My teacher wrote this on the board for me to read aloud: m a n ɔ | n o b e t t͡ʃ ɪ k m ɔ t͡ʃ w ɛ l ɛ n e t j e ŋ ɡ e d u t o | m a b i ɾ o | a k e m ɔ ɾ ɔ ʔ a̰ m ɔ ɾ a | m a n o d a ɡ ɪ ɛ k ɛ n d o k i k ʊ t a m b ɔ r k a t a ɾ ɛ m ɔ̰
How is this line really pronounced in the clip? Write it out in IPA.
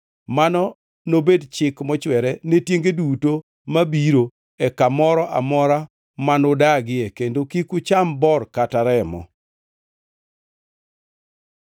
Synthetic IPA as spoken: m a n ɔ | n o b e d t͡ʃ ɪ k m ɔ t͡ʃ w ɛ ɾ ɛ n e t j e ŋ ɡ e d u t o | m a b i ɾ o | ɛ k a m ɔ ɾ ɔ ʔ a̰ m ɔ ɾ a | m a n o d a ɡ ɪ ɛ k e n d o k i k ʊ t͡ʃ a m b ɔ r k a t a ɾ ɛ m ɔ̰

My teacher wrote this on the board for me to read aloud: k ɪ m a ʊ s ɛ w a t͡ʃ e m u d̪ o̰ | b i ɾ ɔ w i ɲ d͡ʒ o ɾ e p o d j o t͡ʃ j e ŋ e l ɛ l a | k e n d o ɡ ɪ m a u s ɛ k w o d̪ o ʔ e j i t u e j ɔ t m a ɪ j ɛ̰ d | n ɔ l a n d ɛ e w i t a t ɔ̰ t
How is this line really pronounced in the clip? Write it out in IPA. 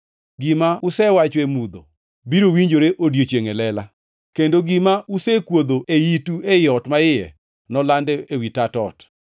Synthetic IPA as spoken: ɡ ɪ m a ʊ s ɛ w a t͡ʃ e m u d̪ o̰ | b i ɾ o w i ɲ d͡ʒ o ɾ e ʔ o d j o t͡ʃ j e ŋ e l ɛ l a | k e n d o ɡ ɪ m a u s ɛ k w o d̪ o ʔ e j i t u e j ɔ t m a ɪ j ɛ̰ | n ɔ l a n d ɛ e w i t a t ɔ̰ t

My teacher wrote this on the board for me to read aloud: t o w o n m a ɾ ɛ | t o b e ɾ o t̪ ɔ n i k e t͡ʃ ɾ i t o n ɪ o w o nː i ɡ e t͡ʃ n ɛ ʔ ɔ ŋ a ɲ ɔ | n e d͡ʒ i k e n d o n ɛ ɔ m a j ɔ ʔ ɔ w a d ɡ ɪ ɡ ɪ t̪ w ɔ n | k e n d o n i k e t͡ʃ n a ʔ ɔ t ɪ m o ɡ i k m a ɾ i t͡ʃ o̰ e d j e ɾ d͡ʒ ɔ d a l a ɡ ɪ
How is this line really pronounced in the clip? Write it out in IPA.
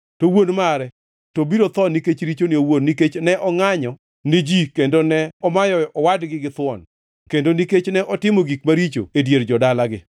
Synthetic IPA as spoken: t o w o n m a ɾ ɛ | t o b i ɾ o t̪ ɔ n i k e t͡ʃ ɾ i t͡ʃ o n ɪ o w o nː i k e t͡ʃ n ɛ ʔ ɔ ŋ a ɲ ɔ | n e d͡ʒ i k e n d o n ɛ ɔ m a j ɔ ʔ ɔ w a d ɡ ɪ ɡ ɪ t̪ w ɔ n | k e n d o n i k e t͡ʃ n ɛ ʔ ɔ t ɪ m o ɡ i k m a ɾ i t͡ʃ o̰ e d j e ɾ d͡ʒ ɔ d a l a ɡ ɪ

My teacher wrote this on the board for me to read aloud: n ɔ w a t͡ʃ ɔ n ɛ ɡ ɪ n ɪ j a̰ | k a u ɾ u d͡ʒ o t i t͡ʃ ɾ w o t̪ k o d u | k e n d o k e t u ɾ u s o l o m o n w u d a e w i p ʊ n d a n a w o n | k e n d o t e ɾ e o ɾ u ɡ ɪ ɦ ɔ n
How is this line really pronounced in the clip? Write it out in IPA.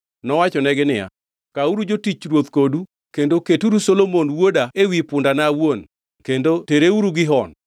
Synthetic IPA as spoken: n ɔ w a t͡ʃ ɔ n ɛ ɡ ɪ n ɪ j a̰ | k a u ɾ u d͡ʒ o t i t͡ʃ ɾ w o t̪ k o d u | k e n d o k e t u ɾ u s o l o m o n w o d a e w i p ʊ n d a n a w o n | k e n d o t e ɾ e u ɾ u ɡ ɪ ɦ ɔ n

